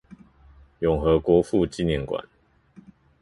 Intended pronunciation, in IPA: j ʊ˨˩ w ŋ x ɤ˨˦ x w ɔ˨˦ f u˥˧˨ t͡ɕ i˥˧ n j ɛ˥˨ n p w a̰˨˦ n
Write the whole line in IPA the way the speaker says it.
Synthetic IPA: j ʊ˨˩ ŋ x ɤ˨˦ k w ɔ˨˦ f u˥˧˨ t͡ɕ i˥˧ n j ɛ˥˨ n k w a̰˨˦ n